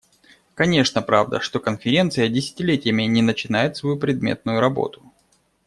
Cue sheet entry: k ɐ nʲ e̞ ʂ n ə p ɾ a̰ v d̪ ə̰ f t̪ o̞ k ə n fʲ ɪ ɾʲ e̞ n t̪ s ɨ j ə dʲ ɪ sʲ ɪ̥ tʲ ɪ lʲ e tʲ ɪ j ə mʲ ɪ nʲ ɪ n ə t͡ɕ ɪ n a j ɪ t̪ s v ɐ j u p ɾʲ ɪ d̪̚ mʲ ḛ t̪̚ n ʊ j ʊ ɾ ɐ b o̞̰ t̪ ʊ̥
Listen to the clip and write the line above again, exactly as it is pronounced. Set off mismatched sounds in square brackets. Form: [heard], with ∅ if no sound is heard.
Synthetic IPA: k ɐ nʲ e̞ ʂ n ə p ɾ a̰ v d̪ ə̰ [ʂ] t̪ o̞ k ə n fʲ ɪ ɾʲ e̞ n t̪ s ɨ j ə dʲ ɪ sʲ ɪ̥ tʲ ɪ lʲ e tʲ ɪ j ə mʲ ɪ nʲ ɪ n ə t͡ɕ ɪ n a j ɪ t̪ s v ɐ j u p ɾʲ ɪ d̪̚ mʲ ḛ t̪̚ n ʊ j ʊ ɾ ɐ b o̞̰ t̪ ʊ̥